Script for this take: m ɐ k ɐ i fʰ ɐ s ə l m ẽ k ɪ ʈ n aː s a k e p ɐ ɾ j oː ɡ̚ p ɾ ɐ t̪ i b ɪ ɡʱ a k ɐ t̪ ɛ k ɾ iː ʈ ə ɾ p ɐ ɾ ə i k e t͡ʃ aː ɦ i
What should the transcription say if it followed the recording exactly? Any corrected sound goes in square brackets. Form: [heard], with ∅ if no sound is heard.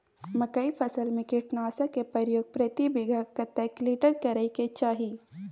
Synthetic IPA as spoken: m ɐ k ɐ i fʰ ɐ s ə l m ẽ k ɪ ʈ n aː s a k e p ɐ ɾ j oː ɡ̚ p ɾ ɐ t̪ i b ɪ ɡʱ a k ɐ t̪ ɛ k [l] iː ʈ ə ɾ [k] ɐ ɾ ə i k e t͡ʃ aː ɦ i